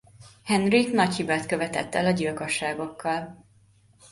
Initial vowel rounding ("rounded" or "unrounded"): unrounded